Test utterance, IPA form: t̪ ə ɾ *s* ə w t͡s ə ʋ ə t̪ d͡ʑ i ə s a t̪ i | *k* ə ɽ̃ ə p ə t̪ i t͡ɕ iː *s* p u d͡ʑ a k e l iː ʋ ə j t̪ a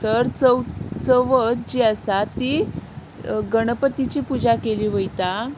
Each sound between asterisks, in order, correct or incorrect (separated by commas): incorrect, incorrect, incorrect